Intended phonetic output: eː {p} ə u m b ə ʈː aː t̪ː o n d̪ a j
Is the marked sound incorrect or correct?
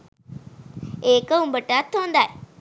incorrect